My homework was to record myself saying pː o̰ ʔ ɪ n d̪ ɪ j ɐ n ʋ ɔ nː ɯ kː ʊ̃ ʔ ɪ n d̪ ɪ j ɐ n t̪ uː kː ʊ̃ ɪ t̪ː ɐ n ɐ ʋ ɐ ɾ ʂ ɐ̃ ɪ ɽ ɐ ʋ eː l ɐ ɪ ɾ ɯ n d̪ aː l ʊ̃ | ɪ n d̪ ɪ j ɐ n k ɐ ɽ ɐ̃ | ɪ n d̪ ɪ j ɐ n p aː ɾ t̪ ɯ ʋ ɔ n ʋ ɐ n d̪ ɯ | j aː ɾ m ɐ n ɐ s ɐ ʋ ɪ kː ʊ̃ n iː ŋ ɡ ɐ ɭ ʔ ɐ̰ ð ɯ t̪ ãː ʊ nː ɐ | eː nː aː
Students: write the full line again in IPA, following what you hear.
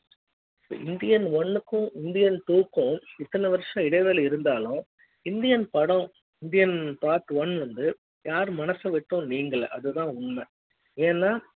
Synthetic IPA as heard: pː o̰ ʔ ɪ n d̪ ɪ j ɐ n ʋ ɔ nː ɯ kː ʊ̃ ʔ ɪ n d̪ ɪ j ɐ n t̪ uː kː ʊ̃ ɪ t̪ː ɐ n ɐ ʋ ɐ ɾ ʂ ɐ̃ ɪ ɽ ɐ ʋ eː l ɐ ɪ ɾ ɯ n d̪ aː l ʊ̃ | ɪ n d̪ ɪ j ɐ n p ɐ ɽ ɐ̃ | ɪ n d̪ ɪ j ɐ n p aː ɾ t̪ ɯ ʋ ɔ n ʋ ɐ n d̪ ɯ | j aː ɾ m ɐ n ɐ s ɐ ʋ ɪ ʈː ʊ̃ n iː ŋ ɡ ɐ ɭ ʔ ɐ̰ ð ɯ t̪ ãː ʊ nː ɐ | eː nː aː